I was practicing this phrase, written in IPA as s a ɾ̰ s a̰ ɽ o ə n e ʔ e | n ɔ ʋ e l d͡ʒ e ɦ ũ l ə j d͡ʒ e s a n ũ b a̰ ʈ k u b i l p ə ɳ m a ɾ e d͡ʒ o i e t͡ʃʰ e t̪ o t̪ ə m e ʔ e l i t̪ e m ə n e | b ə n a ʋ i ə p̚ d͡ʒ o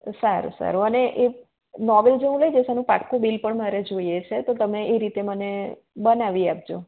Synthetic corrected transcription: s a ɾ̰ s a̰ ɾ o ə n e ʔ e | n ɔ ʋ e l d͡ʒ e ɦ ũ l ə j d͡ʒ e s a n ũ p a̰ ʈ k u b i l p ə ɳ m a ɾ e d͡ʒ o i e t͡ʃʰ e t̪ o t̪ ə m e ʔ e ɾ i t̪ e m ə n e | b ə n a ʋ i a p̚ d͡ʒ o